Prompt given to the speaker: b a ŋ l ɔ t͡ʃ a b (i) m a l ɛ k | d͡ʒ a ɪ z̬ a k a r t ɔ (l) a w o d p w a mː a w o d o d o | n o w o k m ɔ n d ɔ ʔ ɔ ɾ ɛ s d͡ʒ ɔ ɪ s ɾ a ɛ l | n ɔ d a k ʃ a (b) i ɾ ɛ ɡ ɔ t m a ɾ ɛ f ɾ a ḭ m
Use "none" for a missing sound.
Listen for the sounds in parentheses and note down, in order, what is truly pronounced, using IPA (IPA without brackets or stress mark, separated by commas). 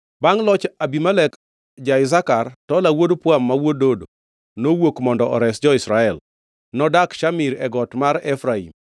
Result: i, l, m